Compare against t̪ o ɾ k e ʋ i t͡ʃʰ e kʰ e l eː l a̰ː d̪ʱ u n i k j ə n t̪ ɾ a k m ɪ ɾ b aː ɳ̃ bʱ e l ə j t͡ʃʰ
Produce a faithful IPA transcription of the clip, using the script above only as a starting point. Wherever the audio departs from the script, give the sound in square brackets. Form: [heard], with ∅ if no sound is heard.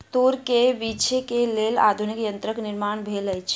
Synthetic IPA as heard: t̪ o ɾ k e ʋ i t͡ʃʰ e [k] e l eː l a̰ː d̪ʱ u n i k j ə n t̪ ɾ [ə] k [n] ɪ ɾ [m] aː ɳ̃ bʱ e l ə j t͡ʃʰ